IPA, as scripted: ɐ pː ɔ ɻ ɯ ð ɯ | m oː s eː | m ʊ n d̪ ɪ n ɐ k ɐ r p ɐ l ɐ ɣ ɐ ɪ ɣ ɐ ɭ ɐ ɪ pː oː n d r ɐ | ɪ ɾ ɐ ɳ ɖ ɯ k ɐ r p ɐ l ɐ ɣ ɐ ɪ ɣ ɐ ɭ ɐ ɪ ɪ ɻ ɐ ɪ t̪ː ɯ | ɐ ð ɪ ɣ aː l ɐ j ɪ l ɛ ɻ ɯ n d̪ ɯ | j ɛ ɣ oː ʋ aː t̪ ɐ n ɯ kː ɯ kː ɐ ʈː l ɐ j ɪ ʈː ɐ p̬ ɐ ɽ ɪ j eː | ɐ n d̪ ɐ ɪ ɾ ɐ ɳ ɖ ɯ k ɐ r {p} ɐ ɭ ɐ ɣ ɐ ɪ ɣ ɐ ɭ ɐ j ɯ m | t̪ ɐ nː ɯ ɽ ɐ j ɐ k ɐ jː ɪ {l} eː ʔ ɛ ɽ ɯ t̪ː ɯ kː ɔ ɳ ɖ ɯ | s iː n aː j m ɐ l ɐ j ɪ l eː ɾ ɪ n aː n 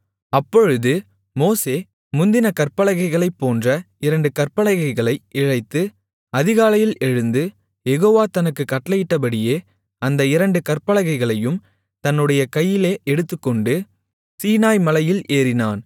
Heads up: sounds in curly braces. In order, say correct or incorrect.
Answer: correct, correct

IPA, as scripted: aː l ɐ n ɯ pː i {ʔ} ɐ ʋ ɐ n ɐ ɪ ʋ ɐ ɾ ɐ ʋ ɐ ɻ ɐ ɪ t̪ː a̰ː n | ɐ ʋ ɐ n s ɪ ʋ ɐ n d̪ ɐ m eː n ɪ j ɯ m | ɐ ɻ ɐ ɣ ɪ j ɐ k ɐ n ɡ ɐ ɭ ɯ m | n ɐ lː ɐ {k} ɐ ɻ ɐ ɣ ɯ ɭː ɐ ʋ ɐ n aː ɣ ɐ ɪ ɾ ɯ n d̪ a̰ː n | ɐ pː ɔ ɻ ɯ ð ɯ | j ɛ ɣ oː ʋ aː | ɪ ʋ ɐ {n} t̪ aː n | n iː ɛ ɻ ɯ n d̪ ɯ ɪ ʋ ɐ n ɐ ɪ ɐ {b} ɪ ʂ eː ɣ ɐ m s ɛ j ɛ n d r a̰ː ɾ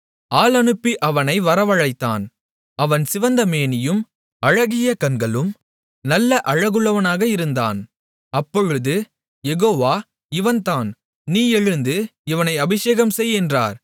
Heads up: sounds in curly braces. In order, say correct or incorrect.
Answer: correct, incorrect, correct, correct

